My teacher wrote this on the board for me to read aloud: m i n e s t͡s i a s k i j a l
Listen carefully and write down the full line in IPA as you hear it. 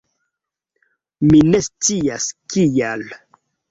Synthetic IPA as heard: m i n e s t͡s i a s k i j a l